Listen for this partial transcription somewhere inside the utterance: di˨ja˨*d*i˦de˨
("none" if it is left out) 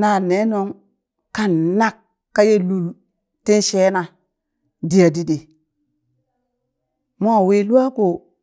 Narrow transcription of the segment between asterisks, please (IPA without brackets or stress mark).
d